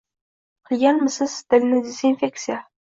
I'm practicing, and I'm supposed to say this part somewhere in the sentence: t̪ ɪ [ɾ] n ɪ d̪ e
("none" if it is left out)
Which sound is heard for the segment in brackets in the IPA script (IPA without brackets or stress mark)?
l